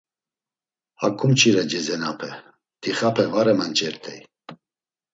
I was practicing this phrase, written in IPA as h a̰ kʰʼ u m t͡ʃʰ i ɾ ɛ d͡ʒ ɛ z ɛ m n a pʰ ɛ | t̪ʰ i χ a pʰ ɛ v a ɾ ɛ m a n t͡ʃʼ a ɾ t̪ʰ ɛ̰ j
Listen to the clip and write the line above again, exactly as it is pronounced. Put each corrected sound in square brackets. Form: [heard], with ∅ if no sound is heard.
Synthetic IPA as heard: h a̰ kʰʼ u m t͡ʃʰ i ɾ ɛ d͡ʒ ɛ z ɛ [∅] n a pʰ ɛ | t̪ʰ i χ a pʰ ɛ v a ɾ ɛ m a n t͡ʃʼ [ɛ] ɾ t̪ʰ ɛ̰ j

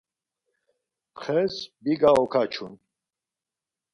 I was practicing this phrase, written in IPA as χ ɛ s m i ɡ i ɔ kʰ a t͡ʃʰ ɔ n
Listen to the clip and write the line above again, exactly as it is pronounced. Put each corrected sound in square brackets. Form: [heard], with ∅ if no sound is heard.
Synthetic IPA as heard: χ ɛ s [b] i ɡ [a] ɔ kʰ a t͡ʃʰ [u] n

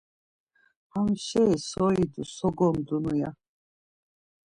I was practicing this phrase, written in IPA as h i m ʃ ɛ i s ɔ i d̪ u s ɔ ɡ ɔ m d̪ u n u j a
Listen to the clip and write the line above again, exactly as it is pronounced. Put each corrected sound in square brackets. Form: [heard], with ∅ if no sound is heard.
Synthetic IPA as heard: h [a] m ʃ ɛ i s ɔ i d̪ u s ɔ ɡ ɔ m d̪ u n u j a

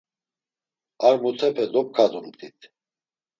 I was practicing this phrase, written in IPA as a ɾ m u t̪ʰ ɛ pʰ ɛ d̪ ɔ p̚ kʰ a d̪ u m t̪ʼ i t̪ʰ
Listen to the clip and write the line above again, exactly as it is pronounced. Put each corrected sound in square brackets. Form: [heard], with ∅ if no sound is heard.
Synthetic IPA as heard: a ɾ m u t̪ʰ ɛ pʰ ɛ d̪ ɔ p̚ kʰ a d̪ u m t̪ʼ i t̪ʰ

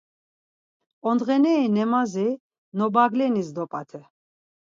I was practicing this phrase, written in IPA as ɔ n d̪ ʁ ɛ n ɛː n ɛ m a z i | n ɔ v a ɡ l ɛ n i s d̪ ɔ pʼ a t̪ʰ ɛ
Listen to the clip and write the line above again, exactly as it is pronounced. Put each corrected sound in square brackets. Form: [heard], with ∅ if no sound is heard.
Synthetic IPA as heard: ɔ n d̪ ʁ ɛ n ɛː n ɛ m a z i | n ɔ [b] a ɡ l ɛ n i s d̪ ɔ pʼ a t̪ʰ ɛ

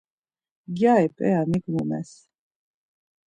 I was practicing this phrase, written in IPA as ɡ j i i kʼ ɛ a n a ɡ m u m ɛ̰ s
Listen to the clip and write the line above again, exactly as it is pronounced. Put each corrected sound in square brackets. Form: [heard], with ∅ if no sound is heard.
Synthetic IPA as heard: ɡ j [a] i [pʼ] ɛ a n [i] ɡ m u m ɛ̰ s

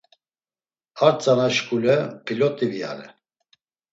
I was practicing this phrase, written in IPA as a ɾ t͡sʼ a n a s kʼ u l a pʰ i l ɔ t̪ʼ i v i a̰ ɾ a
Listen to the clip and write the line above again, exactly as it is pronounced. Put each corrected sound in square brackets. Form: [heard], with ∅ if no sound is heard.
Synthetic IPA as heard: a ɾ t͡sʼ a n a [ʃ] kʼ u l [ɛ] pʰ i l ɔ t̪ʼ i v i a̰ ɾ [ɛ]

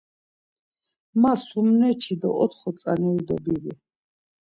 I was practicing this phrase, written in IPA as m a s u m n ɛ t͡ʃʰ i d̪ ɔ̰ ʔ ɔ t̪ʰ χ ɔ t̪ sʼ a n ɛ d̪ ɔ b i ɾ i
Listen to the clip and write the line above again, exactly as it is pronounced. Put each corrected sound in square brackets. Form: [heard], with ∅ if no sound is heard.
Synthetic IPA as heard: m a s u m n ɛ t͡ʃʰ i d̪ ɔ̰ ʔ ɔ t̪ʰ χ ɔ t̪ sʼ a n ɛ d̪ ɔ b i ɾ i

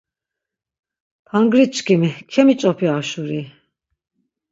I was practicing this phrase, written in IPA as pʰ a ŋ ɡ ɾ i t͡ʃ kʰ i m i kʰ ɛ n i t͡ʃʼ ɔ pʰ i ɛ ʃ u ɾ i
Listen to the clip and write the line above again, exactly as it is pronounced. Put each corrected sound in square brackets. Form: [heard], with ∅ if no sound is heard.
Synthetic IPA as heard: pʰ a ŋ ɡ ɾ i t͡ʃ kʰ i m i kʰ ɛ [m] i t͡ʃʼ ɔ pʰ i [a] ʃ u ɾ i

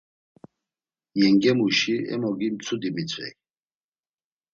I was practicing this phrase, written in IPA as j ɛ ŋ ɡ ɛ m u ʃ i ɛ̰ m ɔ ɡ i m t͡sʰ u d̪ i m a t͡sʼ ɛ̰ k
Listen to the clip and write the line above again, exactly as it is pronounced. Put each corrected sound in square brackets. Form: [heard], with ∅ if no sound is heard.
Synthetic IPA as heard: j ɛ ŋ ɡ ɛ m u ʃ i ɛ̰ m ɔ ɡ i m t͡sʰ u d̪ i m [i] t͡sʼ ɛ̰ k

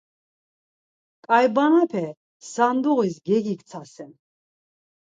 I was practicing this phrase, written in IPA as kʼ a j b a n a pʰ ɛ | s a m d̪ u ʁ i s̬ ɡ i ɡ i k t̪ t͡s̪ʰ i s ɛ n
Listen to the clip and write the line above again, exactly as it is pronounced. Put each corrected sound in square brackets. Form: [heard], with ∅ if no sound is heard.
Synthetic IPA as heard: kʼ a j b a n a pʰ ɛ | s a [n] d̪ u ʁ i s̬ ɡ [ɛ] ɡ i k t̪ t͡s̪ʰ [a] s ɛ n

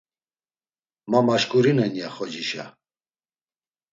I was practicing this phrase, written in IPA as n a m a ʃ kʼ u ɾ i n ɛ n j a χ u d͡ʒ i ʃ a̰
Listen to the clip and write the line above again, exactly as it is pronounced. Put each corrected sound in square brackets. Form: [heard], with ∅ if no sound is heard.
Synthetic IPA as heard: [m] a m a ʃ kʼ u ɾ i n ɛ n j a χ [ɔ] d͡ʒ i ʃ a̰

